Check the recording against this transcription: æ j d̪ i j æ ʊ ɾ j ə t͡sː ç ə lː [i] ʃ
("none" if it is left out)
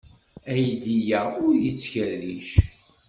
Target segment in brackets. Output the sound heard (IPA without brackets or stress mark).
i